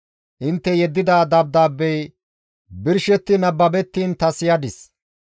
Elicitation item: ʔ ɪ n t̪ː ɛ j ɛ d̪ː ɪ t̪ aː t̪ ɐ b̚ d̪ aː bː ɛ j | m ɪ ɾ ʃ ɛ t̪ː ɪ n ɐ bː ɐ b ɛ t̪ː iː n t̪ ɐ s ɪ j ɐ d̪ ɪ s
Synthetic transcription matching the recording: ʔ ɪ n t̪ː ɛ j ɛ d̪ː ɪ d̪ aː d̪ ɐ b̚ d̪ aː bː ɛ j | b ɪ ɾ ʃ ɛ t̪ː ɪ n ɐ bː ɐ b ɛ t̪ː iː n t̪ ɐ s ɪ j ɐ d̪ ɪ s